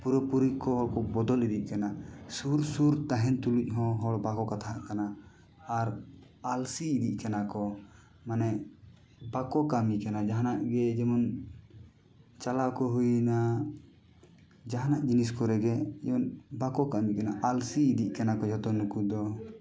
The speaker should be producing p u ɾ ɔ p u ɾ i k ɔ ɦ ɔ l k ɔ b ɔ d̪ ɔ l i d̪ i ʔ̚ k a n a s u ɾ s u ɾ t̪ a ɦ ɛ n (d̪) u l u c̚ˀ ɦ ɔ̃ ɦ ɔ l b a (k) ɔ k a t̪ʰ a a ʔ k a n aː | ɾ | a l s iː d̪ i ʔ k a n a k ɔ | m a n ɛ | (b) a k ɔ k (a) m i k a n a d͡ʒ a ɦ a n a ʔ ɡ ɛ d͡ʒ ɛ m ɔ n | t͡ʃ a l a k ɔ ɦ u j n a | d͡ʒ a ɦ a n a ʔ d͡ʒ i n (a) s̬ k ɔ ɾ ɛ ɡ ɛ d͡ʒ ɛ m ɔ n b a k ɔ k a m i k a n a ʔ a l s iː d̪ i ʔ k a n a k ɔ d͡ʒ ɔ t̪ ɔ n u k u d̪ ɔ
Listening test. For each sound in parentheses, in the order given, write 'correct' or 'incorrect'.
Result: incorrect: t̪, correct, correct, correct, incorrect: i

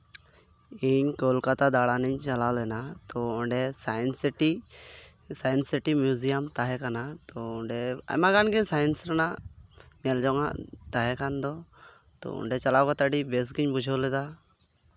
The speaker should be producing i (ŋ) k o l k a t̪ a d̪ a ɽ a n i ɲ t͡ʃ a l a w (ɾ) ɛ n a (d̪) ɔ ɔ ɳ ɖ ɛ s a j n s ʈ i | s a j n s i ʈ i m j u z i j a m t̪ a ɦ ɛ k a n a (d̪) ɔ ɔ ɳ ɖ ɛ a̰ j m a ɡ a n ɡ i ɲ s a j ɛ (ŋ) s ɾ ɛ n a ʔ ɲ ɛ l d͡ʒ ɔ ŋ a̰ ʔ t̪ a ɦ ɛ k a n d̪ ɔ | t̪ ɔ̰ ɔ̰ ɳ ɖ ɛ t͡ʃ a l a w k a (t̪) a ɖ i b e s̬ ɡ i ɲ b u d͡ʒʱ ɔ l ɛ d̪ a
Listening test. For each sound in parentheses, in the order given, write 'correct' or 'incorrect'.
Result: incorrect: ɲ, incorrect: l, incorrect: t̪, incorrect: t̪, incorrect: n, correct

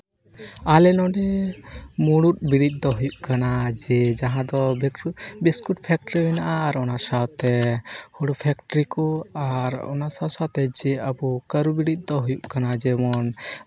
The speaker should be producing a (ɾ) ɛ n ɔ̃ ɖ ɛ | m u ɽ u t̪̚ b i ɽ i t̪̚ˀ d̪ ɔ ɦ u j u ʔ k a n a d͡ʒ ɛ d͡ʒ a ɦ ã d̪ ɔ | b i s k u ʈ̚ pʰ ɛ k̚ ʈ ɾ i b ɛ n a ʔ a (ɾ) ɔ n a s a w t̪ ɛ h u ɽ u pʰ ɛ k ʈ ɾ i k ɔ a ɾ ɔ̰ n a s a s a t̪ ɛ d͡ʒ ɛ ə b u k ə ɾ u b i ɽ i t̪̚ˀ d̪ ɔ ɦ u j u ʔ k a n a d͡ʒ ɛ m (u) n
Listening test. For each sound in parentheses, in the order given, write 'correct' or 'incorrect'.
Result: incorrect: l, correct, incorrect: ɔ

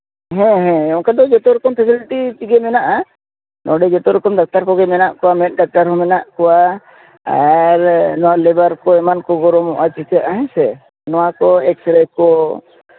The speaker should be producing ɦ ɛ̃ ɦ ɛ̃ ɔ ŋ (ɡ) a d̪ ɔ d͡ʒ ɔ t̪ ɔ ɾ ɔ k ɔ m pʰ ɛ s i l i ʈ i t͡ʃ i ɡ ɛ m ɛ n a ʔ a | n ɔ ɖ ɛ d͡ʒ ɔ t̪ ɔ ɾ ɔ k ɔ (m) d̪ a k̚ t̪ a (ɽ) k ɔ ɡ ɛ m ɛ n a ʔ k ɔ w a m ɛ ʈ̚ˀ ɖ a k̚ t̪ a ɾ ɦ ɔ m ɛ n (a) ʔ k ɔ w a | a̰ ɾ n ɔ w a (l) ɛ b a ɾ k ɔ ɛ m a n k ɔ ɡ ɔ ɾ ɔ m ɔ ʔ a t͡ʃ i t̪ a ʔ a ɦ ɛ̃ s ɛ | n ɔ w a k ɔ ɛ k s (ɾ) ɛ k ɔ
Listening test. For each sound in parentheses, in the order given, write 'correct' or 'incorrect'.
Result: incorrect: k, correct, incorrect: ɾ, correct, correct, correct

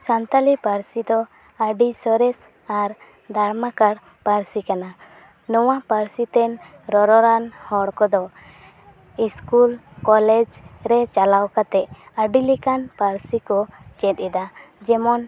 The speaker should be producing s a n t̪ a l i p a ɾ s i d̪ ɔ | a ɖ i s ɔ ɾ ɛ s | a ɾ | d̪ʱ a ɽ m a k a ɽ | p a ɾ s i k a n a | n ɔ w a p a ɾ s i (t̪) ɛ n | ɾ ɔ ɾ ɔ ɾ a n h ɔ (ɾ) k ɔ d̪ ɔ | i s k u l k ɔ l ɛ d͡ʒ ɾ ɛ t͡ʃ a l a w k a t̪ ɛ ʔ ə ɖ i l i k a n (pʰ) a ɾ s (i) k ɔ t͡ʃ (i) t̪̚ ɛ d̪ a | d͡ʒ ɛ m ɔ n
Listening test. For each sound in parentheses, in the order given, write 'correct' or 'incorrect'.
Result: correct, incorrect: ɽ, incorrect: p, correct, incorrect: ɛ

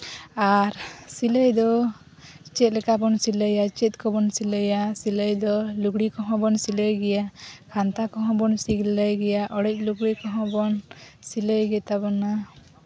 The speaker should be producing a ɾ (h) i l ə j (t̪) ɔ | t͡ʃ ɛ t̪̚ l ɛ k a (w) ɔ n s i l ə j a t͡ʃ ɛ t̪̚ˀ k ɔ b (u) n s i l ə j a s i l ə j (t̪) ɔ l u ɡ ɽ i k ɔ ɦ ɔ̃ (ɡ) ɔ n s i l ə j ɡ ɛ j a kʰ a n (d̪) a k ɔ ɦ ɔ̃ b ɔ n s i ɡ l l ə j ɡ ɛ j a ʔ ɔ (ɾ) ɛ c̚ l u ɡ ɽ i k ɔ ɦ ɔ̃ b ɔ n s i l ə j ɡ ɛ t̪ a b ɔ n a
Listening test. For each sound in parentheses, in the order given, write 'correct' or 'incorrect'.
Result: incorrect: s, incorrect: d̪, incorrect: b, incorrect: ɔ, incorrect: d̪, incorrect: b, incorrect: t̪, incorrect: ɽ

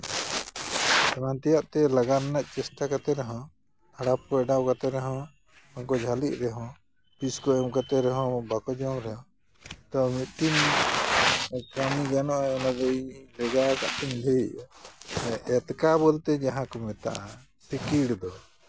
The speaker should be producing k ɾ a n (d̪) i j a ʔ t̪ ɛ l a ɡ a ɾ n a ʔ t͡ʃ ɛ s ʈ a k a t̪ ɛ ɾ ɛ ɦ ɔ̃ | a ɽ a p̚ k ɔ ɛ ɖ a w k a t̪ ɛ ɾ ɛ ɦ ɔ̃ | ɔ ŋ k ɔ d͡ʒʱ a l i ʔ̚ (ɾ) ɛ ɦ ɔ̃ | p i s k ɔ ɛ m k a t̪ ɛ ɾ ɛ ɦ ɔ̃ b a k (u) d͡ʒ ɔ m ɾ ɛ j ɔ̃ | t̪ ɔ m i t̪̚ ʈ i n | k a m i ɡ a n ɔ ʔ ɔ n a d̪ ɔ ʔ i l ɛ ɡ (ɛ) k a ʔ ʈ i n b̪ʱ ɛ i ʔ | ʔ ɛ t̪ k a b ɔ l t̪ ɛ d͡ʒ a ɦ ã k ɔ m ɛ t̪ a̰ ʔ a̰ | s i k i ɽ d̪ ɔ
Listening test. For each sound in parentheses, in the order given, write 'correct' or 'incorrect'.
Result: incorrect: t̪, correct, incorrect: ɔ, incorrect: a

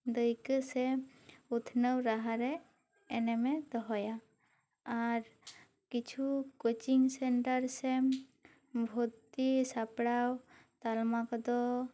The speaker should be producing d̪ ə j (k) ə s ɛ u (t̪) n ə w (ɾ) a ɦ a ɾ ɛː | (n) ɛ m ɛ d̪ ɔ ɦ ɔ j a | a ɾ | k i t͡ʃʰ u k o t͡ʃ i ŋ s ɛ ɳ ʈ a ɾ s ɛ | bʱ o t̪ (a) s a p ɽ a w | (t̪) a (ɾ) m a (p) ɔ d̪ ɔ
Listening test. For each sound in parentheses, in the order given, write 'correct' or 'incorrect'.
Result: correct, incorrect: t̪ʰ, correct, correct, incorrect: i, correct, incorrect: l, incorrect: k

